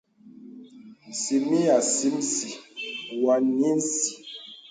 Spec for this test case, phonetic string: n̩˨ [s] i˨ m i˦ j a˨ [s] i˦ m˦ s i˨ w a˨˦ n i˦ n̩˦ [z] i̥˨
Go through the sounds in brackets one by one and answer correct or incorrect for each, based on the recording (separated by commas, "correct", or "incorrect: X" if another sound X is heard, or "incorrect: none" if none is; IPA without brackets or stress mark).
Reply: correct, correct, incorrect: s